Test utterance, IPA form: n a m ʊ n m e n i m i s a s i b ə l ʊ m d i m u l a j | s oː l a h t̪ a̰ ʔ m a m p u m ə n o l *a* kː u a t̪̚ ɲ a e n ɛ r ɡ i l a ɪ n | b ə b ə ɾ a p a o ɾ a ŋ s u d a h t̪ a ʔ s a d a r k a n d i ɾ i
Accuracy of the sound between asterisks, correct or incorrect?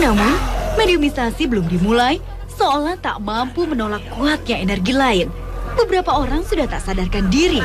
correct